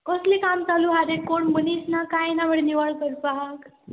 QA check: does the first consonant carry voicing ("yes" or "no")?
no